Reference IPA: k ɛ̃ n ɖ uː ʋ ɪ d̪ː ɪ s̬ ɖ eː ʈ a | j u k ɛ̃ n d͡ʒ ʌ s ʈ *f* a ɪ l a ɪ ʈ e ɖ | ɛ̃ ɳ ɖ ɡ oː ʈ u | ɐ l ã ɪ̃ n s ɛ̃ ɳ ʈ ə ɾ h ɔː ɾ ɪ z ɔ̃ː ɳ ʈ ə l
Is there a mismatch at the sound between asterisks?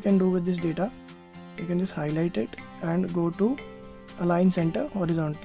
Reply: yes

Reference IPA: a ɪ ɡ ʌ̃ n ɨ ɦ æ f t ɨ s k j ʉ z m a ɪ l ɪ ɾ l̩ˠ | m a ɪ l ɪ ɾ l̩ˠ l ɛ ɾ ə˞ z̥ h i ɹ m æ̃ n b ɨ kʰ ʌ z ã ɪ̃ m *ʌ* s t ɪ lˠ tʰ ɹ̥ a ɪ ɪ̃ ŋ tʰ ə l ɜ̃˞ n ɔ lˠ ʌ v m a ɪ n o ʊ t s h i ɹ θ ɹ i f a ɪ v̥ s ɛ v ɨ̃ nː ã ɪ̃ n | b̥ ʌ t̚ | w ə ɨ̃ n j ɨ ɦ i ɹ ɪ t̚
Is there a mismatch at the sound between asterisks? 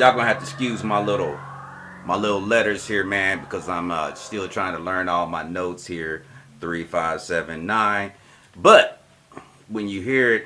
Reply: no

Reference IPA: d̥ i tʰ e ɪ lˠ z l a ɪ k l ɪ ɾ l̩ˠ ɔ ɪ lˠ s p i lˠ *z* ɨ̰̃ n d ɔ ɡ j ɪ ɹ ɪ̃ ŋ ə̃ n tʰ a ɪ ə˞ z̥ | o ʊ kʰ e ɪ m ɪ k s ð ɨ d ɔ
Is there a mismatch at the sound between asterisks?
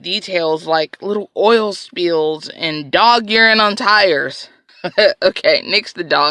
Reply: no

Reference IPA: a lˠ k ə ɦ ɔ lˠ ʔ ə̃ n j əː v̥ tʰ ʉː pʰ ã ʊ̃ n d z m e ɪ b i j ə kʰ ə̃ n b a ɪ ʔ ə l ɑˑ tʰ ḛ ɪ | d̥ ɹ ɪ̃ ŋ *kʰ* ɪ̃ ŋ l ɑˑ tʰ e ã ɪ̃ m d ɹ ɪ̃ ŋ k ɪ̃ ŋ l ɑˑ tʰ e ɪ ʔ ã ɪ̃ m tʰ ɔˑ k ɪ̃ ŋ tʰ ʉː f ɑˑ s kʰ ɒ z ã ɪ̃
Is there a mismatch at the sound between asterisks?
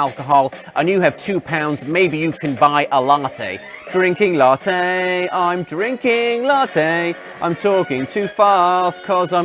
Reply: yes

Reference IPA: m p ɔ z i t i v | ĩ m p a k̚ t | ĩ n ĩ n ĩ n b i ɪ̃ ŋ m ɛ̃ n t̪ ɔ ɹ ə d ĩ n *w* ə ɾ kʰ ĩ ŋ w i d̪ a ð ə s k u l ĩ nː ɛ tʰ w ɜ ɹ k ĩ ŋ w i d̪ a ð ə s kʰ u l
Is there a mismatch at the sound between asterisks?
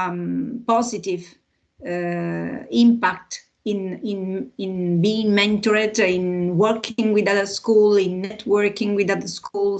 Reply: no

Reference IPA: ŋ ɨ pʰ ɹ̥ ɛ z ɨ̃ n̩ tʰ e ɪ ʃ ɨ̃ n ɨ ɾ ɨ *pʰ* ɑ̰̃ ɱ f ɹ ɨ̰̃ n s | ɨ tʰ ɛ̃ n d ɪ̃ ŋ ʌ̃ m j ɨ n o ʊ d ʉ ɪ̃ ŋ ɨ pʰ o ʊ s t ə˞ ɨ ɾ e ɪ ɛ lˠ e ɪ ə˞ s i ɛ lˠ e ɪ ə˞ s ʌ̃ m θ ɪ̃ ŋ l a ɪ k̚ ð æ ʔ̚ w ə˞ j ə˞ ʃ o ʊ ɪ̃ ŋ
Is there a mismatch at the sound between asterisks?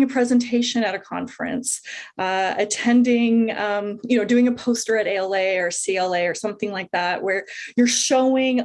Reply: yes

